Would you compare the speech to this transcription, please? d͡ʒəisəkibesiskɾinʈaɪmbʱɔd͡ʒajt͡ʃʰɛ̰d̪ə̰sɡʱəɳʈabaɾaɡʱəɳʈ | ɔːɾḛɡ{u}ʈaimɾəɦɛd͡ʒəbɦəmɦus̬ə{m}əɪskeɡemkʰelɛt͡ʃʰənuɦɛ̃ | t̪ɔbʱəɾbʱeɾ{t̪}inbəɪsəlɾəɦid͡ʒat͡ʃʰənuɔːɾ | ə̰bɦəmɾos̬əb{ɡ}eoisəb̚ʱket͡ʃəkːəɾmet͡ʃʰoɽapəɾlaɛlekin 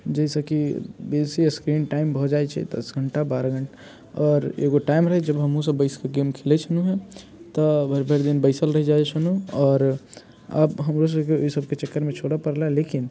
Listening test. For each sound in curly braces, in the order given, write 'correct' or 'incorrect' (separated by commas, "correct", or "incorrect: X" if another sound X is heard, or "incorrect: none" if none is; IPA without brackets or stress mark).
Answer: incorrect: o, incorrect: b, incorrect: d̪, incorrect: k